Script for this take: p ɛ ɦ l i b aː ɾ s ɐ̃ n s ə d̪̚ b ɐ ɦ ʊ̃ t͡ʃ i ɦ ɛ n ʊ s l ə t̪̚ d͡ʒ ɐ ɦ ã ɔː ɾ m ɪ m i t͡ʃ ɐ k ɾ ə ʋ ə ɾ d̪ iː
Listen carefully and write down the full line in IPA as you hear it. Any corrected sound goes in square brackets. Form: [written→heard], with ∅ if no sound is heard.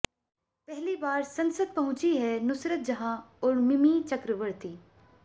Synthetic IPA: p ɛ ɦ l i b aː ɾ s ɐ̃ n s ə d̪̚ [b→p] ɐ ɦ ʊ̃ t͡ʃ i ɦ ɛ n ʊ s [l→ɾ] ə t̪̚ d͡ʒ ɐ ɦ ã ɔː ɾ m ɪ m i t͡ʃ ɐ k ɾ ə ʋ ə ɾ [d̪→t̪] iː

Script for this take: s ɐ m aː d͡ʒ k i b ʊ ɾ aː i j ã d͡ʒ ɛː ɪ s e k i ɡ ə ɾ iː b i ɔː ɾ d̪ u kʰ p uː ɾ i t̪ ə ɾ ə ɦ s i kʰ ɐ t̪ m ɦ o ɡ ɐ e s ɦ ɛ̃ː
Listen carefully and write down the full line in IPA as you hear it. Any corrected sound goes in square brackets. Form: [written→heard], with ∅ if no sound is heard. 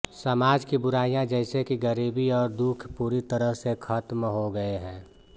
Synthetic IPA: s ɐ m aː d͡ʒ k i b ʊ ɾ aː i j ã d͡ʒ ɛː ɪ s e k i ɡ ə ɾ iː b i ɔː ɾ d̪ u kʰ p uː ɾ i t̪ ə ɾ ə ɦ s [i→e] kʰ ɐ t̪ m ɦ o ɡ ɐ e [s→∅] ɦ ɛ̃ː

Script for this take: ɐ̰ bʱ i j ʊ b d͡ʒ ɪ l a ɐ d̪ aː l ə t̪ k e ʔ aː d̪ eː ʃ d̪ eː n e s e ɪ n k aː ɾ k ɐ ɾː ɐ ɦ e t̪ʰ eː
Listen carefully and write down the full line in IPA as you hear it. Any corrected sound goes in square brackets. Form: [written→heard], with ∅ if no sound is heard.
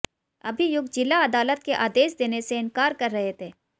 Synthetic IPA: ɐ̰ bʱ i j ʊ [b→ɡ] d͡ʒ ɪ l a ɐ d̪ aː l ə t̪ k e ʔ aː d̪ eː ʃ d̪ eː n e s e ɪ n k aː ɾ k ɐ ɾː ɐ ɦ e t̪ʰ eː

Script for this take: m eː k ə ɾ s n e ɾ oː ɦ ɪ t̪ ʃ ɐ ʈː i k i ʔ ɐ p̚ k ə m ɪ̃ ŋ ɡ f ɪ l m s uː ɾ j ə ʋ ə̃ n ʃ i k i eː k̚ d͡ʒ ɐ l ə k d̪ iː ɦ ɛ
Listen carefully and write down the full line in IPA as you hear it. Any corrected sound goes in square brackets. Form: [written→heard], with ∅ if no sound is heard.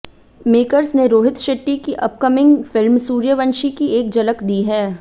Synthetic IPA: m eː k ə ɾ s n e ɾ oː ɦ ɪ t̪ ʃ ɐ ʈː i k i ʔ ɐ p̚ k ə m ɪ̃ ŋ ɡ f ɪ l m s uː ɾ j ə ʋ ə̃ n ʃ i k i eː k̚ d͡ʒ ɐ l ə k d̪ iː ɦ [ɛ→ɛː]

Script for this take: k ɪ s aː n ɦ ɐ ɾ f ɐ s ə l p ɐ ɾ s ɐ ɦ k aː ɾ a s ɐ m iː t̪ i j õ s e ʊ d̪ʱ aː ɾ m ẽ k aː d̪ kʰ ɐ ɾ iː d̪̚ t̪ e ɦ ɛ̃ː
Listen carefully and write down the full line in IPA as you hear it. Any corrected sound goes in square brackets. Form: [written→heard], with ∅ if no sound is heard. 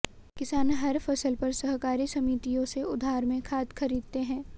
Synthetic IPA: k ɪ s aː n ɦ ɐ ɾ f ɐ s ə l p ɐ ɾ s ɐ ɦ k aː ɾ [a→i] s ɐ m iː t̪ i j õ s e ʊ d̪ʱ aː ɾ m ẽ [k→kʰ] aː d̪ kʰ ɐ ɾ iː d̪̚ t̪ e ɦ ɛ̃ː

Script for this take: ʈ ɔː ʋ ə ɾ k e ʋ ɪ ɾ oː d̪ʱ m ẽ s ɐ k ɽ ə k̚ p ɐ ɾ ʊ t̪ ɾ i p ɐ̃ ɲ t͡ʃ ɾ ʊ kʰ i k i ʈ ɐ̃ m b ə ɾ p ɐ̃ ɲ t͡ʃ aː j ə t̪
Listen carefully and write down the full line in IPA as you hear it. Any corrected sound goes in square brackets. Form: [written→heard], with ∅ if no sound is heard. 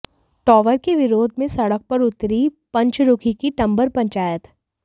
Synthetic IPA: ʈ ɔː ʋ ə ɾ k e ʋ ɪ ɾ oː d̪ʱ m ẽ s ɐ [k→∅] ɽ ə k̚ p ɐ ɾ ʊ t̪ ɾ i p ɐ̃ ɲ t͡ʃ ɾ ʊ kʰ i k i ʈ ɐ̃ m b ə ɾ p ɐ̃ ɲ t͡ʃ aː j ə t̪

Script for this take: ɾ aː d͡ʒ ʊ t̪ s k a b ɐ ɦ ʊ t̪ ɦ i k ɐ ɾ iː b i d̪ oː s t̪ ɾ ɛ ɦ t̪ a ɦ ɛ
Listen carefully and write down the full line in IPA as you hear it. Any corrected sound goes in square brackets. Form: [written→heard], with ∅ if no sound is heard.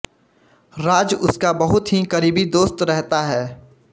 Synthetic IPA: ɾ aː d͡ʒ ʊ [t̪→∅] s k a b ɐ ɦ ʊ t̪ ɦ i k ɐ ɾ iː b i d̪ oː s t̪ ɾ ɛ ɦ t̪ a ɦ [ɛ→ɛː]

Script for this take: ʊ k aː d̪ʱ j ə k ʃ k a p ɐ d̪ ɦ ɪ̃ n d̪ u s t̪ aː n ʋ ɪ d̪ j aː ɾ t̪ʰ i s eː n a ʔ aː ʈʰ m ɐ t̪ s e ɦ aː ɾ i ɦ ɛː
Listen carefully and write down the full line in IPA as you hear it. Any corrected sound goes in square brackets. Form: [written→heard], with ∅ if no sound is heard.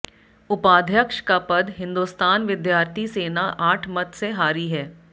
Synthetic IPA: ʊ [k→p] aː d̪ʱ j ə k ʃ k a p ɐ d̪ ɦ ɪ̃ n d̪ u s t̪ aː n ʋ ɪ d̪ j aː ɾ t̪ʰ i s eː n a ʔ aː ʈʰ m ɐ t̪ s e ɦ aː ɾ i ɦ ɛː

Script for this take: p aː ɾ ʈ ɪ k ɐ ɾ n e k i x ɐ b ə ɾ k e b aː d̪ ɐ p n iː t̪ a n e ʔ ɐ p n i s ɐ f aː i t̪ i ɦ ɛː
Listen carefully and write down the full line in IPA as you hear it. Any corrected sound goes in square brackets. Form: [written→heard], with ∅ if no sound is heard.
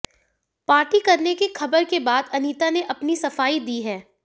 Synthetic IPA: p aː ɾ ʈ [ɪ→i] k ɐ ɾ n e k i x ɐ b ə ɾ k e b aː d̪ ɐ [p→∅] n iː t̪ a n e ʔ ɐ p n i s ɐ f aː i [t̪→d̪] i ɦ ɛː

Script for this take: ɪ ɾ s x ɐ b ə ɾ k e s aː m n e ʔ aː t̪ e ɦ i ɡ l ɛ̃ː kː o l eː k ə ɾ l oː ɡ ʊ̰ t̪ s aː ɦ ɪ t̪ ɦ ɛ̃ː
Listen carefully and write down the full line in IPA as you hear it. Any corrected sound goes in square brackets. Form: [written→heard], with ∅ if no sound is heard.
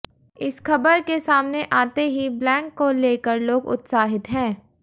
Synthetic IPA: ɪ [ɾ→∅] s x ɐ b ə ɾ k e s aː m n e ʔ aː t̪ e ɦ i [ɡ→b] l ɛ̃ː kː o l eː k ə ɾ l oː ɡ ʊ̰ t̪ s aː ɦ ɪ t̪ ɦ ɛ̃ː

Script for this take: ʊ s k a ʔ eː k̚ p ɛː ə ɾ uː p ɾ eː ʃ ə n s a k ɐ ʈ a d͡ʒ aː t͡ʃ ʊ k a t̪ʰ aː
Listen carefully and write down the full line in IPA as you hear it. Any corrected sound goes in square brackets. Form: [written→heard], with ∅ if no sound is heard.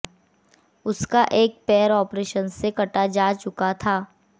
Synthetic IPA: ʊ s k a ʔ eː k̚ p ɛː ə ɾ [uː→ɔː] p ɾ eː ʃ ə n s [a→e] k ɐ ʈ a d͡ʒ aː t͡ʃ ʊ k a t̪ʰ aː

